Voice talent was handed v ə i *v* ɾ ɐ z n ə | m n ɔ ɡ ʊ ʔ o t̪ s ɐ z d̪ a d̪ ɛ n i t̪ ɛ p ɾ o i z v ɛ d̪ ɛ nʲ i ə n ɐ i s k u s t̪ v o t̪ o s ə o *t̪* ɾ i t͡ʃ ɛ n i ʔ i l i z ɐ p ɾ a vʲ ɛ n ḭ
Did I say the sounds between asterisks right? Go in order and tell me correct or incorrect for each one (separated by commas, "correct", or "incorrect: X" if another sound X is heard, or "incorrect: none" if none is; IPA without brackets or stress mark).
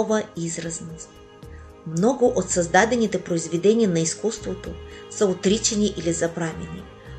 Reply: incorrect: z, correct